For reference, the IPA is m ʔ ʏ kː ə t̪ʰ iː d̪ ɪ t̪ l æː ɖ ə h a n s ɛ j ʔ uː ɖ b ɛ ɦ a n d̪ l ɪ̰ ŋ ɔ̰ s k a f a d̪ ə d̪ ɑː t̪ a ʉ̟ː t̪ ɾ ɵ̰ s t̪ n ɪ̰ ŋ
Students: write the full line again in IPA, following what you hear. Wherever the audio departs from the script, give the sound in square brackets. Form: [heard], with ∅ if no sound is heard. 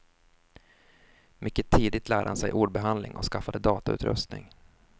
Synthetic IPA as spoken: m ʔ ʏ kː ə t̪ʰ iː d̪ ɪ t̪ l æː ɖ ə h a n s ɛ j ʔ uː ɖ b ɛ ɦ a n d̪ l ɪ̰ ŋ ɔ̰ s k a f a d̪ ə d̪ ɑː t̪ a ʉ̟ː t̪ ɾ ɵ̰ s t̪ n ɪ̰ ŋ